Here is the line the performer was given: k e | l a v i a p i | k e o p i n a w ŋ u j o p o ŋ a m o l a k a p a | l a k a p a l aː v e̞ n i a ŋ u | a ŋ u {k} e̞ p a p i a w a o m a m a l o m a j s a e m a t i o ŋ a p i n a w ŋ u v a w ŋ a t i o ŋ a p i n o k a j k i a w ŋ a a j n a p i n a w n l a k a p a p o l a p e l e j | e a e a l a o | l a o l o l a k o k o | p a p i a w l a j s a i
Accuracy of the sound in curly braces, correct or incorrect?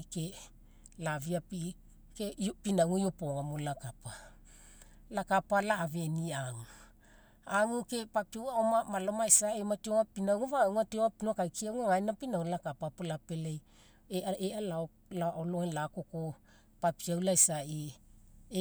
correct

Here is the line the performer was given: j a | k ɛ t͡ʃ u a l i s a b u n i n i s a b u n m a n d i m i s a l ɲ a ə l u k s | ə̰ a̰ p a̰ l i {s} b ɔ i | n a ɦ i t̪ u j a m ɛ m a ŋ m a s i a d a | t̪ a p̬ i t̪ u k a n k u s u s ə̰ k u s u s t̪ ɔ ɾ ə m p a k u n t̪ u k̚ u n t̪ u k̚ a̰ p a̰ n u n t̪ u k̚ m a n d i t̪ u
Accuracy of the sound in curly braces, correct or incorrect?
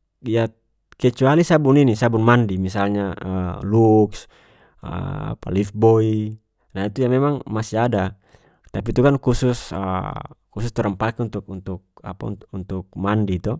incorrect: f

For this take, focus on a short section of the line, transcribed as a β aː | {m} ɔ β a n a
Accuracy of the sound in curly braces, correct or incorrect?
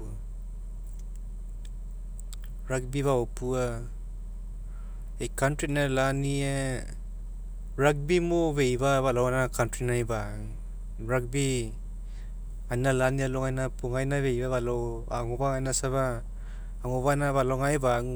incorrect: ŋ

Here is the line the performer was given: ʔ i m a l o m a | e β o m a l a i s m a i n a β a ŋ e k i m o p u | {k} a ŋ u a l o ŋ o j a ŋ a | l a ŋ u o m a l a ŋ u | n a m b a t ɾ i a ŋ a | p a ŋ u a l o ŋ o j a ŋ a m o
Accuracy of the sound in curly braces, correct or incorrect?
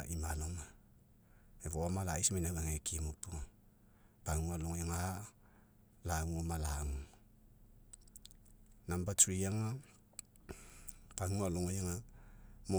incorrect: p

